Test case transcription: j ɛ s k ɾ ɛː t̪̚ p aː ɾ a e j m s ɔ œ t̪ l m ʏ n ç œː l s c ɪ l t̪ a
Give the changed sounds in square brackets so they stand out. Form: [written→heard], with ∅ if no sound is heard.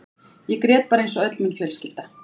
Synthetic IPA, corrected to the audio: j ɛ [s→∅] k ɾ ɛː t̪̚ p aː ɾ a e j [m→n] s ɔ œ t̪ l m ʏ n ç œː l s c ɪ l t̪ a